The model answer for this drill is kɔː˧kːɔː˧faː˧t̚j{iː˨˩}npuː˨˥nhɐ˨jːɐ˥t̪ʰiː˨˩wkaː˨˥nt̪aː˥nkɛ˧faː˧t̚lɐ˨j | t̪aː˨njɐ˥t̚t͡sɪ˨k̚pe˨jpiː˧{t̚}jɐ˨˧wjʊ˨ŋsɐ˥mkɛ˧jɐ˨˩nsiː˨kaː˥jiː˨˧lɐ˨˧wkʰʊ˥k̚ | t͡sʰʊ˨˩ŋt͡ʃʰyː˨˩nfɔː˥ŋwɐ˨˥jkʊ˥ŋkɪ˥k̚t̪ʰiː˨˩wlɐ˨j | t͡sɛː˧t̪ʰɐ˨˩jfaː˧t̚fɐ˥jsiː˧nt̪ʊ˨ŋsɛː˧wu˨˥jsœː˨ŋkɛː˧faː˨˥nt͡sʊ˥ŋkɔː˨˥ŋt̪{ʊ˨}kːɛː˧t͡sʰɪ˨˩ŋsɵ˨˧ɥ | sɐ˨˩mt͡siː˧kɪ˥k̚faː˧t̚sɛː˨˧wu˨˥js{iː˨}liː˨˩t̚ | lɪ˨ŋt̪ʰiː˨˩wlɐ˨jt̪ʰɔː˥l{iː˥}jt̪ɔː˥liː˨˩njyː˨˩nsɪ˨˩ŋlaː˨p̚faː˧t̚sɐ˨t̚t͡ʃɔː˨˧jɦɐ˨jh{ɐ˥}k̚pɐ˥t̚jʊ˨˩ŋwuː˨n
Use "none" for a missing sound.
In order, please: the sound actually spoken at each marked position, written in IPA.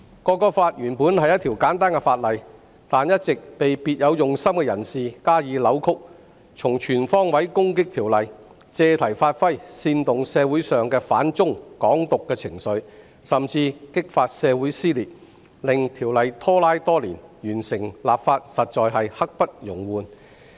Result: yː˨˩, t̚, ʊ˨, iː˥, aː˥, ɐ˥

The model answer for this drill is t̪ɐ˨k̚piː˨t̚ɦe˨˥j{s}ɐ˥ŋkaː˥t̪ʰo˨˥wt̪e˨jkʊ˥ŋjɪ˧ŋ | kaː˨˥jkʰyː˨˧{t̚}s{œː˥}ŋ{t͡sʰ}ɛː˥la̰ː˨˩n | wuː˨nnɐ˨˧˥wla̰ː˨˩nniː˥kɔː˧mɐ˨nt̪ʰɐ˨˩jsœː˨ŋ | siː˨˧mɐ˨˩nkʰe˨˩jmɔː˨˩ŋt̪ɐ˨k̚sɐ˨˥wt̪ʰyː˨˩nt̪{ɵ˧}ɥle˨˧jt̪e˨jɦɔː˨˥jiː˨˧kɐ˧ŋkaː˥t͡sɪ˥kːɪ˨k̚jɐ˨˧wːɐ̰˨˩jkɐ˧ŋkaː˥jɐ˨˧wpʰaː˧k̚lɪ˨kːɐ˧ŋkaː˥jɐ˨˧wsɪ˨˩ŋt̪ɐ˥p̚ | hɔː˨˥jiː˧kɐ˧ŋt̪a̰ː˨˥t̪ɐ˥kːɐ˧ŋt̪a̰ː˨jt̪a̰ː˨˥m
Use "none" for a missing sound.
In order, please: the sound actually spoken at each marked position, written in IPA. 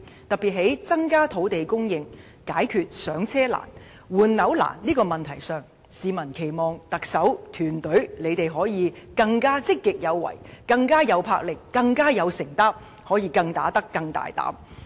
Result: t͡s, t̚, œː˨˥, t͡sʰ, ɵ˨˥

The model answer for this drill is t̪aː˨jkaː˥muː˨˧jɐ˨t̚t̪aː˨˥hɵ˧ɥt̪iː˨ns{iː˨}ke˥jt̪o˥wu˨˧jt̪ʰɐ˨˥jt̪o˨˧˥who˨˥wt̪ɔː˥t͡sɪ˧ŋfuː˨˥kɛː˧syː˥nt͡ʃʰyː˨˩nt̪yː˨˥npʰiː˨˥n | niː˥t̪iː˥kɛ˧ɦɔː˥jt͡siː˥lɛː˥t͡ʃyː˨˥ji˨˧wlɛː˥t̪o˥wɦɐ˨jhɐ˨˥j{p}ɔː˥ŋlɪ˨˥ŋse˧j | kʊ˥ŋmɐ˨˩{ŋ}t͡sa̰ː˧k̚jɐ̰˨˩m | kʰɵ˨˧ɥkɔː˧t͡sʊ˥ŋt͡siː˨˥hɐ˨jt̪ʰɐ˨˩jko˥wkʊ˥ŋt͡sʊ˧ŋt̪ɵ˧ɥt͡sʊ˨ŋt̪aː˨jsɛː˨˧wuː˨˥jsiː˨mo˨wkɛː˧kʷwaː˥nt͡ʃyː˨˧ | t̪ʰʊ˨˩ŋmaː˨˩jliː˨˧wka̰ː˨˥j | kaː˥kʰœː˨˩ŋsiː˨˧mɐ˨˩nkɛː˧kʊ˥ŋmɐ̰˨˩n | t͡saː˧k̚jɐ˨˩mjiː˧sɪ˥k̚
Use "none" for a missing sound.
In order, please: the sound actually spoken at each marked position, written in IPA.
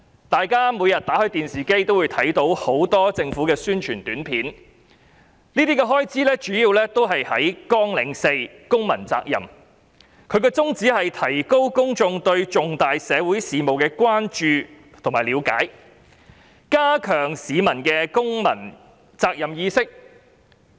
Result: iː˨, k, n

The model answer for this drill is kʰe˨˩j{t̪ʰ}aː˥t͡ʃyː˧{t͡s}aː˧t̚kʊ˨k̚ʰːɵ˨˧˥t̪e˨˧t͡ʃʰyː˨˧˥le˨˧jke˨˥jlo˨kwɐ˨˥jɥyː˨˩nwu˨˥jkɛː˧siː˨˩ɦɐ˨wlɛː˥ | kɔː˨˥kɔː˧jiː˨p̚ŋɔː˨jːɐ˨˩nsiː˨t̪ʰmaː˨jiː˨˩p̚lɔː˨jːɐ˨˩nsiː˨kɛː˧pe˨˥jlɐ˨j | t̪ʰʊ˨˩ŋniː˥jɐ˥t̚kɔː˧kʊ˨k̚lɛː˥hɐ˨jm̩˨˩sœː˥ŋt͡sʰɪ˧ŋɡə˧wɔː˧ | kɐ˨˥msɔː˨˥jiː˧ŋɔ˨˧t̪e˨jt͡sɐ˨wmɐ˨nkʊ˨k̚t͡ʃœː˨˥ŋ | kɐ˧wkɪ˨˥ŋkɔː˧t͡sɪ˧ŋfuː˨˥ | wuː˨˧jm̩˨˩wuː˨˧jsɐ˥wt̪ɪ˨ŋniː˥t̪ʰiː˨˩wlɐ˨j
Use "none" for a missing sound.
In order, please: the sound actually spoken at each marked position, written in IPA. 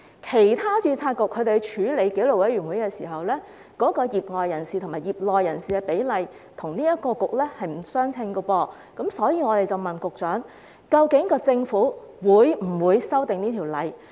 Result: t̪ʰ, t͡sʰ

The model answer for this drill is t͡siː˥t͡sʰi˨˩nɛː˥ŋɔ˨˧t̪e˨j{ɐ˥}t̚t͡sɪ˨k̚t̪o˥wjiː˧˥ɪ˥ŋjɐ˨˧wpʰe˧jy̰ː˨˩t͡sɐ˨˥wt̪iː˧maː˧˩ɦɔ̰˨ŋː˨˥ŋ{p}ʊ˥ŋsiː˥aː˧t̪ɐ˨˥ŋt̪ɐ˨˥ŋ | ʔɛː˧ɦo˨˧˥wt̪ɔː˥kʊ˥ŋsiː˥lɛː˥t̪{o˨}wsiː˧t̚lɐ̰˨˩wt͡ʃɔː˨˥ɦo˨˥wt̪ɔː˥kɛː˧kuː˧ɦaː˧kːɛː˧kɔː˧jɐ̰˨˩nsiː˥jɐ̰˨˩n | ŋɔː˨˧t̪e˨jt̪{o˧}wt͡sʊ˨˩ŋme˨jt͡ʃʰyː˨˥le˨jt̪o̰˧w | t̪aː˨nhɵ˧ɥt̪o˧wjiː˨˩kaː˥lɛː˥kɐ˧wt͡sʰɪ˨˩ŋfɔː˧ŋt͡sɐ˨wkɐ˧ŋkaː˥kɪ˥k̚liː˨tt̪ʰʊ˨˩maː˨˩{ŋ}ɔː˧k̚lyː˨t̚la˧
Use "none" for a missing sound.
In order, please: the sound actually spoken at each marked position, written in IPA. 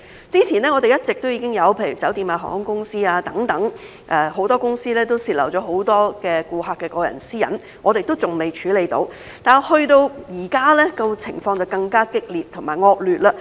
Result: ɐ˥, k, o˥, o˥, ŋ

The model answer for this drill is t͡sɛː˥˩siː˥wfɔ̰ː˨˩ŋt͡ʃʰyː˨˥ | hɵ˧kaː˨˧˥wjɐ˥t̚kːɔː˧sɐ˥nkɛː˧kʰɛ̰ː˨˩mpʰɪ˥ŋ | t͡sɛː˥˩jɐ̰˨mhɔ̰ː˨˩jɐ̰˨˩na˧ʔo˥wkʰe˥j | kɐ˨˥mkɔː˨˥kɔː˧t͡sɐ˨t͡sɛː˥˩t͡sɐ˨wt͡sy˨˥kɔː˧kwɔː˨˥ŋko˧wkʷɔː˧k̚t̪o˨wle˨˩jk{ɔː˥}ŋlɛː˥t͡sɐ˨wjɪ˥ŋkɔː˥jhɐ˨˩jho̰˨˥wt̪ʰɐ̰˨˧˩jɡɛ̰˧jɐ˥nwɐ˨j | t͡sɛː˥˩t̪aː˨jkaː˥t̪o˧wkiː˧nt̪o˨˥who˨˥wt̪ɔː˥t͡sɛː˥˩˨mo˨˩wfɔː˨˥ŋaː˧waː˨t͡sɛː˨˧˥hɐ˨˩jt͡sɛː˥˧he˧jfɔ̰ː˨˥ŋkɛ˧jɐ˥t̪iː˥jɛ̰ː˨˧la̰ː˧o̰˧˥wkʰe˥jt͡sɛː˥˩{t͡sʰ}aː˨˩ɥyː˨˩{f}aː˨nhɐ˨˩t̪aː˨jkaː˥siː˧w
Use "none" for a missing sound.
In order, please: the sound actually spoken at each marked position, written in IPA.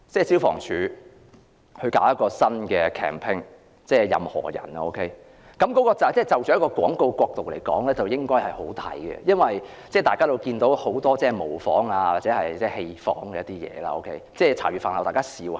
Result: ɔː˨˥, t͡sʰ, f

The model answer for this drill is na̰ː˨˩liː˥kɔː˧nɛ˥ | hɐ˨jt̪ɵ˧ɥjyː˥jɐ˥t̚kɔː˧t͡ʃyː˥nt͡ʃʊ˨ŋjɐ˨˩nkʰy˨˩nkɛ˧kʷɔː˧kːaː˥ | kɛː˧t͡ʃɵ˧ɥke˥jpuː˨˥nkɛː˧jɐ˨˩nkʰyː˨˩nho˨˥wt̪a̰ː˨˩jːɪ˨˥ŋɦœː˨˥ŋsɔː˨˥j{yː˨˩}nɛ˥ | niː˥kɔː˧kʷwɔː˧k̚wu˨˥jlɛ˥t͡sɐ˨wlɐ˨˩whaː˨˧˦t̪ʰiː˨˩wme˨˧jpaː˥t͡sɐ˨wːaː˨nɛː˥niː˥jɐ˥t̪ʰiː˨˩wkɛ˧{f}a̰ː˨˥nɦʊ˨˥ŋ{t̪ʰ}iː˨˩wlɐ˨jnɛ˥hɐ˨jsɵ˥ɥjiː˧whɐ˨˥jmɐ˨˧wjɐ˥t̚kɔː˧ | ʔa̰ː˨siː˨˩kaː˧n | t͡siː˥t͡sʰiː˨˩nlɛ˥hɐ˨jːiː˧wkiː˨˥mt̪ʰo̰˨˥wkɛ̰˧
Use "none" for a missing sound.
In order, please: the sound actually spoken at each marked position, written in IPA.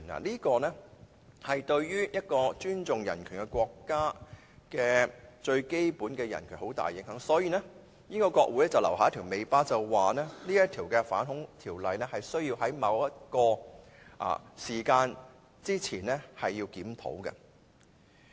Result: iː˨˩, f, t̪ʰ

